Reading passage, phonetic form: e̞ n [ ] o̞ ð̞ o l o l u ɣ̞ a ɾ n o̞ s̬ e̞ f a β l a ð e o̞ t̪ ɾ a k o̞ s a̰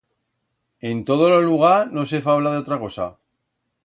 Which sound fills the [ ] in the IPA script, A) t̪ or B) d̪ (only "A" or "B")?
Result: A